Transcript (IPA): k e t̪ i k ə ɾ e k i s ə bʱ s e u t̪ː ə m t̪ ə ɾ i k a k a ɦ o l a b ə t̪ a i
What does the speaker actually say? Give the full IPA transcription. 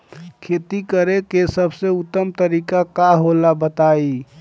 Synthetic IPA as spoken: kʰ e t̪ i k ə ɾ e k e s ə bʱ s e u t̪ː ə m t̪ ə ɾ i k a k a ɦ o l a b ə t̪ a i